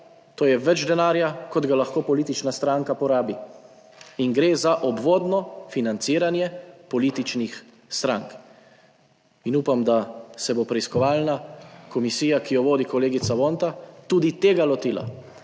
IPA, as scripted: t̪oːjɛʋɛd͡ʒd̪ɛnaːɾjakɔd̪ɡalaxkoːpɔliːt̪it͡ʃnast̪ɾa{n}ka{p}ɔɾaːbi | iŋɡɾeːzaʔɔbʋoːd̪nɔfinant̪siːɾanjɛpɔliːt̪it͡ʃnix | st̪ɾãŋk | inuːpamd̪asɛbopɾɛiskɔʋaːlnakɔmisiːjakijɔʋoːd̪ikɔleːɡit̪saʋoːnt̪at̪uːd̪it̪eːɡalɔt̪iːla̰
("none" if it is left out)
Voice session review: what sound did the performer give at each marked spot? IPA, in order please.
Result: ŋ, p

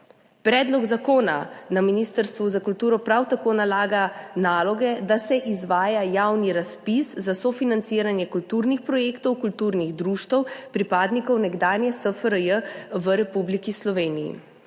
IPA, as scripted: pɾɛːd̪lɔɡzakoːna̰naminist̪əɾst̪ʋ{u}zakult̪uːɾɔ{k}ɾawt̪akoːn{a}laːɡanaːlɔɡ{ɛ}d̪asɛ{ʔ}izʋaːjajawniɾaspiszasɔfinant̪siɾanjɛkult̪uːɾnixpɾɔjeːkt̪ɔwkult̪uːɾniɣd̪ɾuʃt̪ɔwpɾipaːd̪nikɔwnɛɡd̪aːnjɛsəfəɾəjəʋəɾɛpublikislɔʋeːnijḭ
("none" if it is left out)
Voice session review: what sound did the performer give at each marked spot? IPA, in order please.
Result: u, p, a, ɛ, ʔ

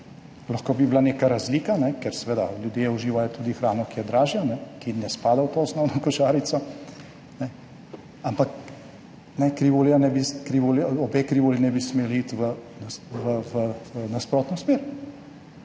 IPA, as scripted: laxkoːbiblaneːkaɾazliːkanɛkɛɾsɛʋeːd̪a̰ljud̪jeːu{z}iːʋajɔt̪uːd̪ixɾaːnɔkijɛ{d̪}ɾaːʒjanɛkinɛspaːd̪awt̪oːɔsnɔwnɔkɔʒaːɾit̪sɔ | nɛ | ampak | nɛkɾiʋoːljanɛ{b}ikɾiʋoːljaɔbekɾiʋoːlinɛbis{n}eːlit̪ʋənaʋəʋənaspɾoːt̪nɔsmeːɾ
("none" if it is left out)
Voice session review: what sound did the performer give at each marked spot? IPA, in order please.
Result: ʒ, d̪, b, m

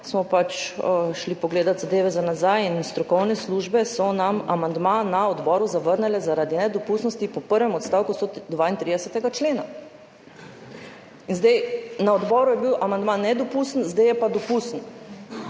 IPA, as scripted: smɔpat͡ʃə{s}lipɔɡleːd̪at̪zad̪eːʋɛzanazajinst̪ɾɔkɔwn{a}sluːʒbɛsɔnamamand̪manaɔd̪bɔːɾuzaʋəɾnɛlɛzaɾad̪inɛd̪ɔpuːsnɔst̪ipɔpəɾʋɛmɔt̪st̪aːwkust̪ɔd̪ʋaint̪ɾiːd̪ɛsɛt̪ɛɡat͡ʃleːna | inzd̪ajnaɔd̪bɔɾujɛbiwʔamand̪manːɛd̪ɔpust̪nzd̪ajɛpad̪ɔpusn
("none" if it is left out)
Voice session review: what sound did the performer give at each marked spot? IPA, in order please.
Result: ʃ, ɛ

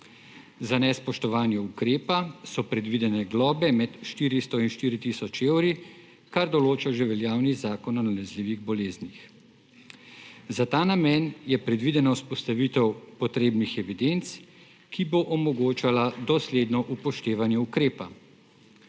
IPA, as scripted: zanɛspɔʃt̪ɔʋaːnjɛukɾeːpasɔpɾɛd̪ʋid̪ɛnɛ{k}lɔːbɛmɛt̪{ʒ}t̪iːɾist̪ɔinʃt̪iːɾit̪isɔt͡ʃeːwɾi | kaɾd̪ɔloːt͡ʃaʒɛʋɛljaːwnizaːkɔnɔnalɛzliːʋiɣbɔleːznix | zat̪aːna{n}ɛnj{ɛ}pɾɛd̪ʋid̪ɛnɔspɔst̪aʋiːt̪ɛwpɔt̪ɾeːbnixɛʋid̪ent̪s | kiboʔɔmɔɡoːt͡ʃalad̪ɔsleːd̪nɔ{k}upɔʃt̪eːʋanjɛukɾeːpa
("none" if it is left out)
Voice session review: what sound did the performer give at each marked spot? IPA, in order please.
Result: ɡ, ʃ, m, ɛ, ʔ

